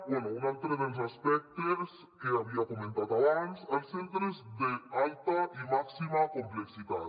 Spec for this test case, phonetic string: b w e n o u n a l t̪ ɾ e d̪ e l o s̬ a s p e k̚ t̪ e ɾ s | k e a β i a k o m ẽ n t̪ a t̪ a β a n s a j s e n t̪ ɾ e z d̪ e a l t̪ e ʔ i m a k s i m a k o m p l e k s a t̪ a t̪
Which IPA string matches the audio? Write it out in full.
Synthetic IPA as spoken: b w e n o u n a l t̪ ɾ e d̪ e l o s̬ a s p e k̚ t̪ e ɾ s | k e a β i a k o m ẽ n t̪ a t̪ a β a n s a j s e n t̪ ɾ e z d̪ e a l t̪ a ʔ i m a k s i m a k o m p l e k s i t̪ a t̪